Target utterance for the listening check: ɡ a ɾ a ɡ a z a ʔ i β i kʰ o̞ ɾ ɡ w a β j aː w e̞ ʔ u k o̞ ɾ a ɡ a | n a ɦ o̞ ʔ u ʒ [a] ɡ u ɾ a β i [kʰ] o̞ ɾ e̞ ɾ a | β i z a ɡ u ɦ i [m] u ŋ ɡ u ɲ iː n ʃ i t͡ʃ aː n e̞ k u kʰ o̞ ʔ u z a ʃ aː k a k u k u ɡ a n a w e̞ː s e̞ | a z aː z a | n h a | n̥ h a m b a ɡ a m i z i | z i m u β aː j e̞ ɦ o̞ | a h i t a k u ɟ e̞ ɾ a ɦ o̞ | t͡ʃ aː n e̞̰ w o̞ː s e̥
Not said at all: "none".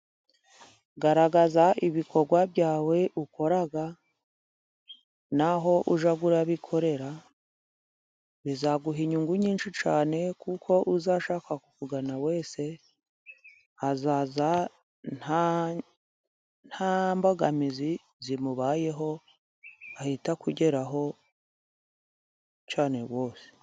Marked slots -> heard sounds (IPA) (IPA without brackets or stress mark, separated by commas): a, kʰ, ɲ